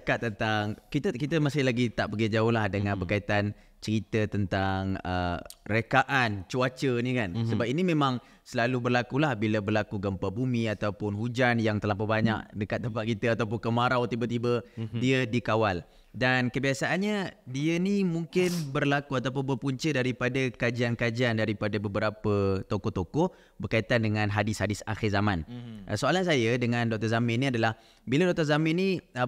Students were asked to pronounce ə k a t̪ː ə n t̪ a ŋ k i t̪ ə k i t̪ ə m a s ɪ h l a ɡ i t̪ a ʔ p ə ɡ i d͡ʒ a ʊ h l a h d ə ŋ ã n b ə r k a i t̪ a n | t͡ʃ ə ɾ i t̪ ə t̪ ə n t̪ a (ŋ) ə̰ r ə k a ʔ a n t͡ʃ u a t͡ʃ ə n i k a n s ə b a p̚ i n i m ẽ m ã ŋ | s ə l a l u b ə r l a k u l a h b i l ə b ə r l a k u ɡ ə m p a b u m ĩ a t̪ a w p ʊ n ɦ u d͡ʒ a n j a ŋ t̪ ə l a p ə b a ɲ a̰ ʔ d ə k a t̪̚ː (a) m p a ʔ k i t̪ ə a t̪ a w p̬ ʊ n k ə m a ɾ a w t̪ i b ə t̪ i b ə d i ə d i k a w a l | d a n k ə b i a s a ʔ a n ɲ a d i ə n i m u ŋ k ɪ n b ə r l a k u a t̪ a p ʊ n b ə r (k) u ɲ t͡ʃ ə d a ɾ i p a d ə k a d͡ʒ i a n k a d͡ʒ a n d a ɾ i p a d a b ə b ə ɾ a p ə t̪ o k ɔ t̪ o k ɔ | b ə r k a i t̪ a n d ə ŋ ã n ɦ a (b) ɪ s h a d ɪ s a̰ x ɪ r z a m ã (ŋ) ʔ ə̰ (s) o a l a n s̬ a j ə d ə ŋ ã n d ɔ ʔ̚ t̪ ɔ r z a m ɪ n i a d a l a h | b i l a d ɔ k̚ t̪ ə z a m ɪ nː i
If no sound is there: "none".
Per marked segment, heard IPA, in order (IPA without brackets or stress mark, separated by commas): ŋ, ə, p, d, n, s